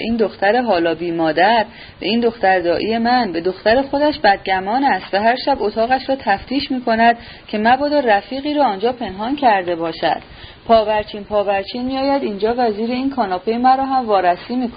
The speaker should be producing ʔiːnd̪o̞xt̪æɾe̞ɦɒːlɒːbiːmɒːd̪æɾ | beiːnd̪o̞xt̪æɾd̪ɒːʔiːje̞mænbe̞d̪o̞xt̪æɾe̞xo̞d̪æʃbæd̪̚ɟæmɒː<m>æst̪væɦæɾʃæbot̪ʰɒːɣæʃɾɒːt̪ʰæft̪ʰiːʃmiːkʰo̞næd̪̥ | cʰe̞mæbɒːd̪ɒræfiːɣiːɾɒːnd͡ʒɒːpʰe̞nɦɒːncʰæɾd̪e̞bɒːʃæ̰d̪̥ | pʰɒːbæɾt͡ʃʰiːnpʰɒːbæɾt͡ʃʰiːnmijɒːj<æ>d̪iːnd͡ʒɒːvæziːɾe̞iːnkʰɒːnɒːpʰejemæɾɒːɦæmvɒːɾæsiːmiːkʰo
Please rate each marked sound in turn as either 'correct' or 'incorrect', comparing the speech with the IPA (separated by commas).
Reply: incorrect, correct